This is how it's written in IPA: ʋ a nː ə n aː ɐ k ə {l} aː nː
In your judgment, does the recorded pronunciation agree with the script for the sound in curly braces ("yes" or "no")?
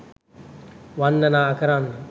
no